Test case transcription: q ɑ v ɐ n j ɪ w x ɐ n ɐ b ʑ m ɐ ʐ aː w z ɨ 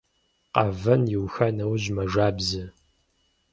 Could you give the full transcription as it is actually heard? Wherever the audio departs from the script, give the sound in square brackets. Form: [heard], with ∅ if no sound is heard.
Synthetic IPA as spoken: q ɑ v ɐ n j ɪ w x ɐ n ɐ [w] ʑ m ɐ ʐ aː [b] z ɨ